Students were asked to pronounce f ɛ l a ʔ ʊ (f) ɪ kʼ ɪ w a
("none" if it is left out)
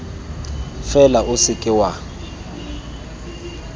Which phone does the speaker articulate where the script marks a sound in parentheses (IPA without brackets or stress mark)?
s